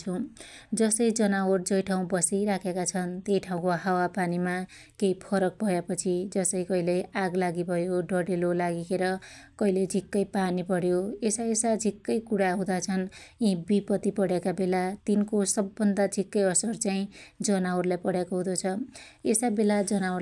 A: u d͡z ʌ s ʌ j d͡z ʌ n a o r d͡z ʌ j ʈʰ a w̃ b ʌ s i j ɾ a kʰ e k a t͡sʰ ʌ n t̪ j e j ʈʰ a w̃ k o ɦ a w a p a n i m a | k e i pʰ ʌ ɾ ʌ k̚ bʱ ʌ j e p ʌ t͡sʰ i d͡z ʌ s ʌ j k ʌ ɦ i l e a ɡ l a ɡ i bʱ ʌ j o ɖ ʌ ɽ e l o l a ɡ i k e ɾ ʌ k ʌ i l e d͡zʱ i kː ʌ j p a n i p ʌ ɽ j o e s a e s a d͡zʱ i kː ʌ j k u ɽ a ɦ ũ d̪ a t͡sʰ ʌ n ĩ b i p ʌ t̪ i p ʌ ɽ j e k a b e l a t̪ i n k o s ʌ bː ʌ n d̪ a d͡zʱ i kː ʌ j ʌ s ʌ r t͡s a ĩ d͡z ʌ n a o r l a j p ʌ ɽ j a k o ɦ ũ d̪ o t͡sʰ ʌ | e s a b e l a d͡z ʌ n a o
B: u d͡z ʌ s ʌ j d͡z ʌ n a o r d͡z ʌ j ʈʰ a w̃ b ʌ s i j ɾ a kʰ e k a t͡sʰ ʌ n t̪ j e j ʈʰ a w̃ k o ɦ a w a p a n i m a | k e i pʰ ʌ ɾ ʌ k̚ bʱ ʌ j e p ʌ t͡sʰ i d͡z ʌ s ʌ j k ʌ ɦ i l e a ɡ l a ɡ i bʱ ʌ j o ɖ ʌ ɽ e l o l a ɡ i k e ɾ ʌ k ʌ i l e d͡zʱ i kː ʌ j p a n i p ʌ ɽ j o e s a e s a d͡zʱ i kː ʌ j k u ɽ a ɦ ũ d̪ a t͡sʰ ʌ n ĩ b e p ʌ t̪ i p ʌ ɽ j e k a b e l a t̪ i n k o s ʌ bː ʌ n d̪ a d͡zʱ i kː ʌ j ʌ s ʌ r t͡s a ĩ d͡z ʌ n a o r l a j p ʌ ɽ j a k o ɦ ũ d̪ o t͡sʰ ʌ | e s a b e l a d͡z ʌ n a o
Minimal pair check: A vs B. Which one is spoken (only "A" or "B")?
A